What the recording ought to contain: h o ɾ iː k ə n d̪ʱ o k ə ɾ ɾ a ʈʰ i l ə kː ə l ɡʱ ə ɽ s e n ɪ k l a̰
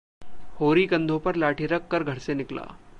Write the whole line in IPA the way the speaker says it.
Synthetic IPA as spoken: h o ɾ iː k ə n d̪ʱ o p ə ɾ l a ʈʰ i ɾ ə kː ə ɾ ɡʱ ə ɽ s e n ɪ k l a̰